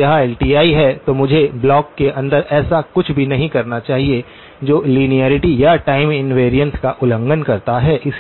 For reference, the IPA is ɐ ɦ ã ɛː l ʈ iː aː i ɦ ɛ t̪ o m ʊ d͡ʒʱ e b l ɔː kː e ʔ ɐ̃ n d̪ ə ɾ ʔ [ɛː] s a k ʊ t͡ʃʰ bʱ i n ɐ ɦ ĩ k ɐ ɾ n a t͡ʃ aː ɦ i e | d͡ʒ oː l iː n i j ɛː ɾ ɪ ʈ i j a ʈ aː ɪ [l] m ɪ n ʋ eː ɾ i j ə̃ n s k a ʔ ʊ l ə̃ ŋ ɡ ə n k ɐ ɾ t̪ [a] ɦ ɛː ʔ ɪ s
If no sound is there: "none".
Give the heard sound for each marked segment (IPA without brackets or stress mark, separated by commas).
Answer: ɛː, none, a